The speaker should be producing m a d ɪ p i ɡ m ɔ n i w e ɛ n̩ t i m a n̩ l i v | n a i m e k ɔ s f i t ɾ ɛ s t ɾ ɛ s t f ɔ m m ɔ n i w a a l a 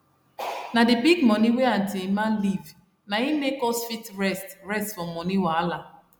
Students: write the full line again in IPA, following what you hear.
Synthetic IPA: n a d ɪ b i ɡ m ɔ n i w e a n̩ t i m a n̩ l i v | n a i m e k ɔ s f i t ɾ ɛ s t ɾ ɛ s t f ɔ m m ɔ n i w a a l a